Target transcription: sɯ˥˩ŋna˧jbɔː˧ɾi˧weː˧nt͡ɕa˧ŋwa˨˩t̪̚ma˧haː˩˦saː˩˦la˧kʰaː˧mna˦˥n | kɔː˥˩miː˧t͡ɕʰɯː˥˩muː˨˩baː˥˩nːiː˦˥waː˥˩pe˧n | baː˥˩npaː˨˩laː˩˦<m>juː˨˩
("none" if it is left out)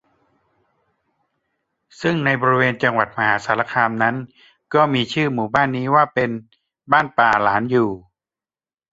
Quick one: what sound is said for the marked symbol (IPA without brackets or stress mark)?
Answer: n